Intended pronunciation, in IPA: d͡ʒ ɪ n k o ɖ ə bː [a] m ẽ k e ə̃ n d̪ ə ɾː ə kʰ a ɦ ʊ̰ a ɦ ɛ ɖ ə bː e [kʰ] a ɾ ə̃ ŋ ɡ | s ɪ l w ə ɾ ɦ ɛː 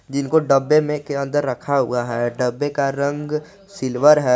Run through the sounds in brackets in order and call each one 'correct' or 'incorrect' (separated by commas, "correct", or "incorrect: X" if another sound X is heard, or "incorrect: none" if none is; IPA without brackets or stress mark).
incorrect: e, incorrect: k